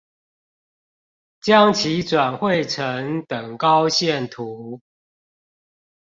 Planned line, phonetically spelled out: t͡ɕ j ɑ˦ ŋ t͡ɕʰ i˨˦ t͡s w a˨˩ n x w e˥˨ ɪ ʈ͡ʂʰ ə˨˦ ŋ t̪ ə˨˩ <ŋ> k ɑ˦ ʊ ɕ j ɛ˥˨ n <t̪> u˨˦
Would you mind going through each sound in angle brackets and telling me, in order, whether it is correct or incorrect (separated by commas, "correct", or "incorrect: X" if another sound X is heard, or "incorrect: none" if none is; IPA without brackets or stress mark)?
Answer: correct, incorrect: t̪ʰ